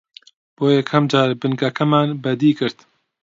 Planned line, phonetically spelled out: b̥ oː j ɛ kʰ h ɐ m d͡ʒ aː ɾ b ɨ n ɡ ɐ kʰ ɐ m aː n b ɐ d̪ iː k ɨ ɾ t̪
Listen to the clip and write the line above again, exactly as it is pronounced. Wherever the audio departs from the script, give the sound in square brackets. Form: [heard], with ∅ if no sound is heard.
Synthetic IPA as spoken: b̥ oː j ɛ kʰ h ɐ m d͡ʒ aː ɾ b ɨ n ɡ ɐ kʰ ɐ m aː n b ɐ d̪ iː k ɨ ɾ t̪